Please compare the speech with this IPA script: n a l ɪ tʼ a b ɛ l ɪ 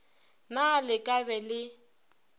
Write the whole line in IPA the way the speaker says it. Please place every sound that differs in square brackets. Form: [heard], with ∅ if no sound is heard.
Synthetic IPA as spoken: n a l ɪ [kʼ] a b ɛ l ɪ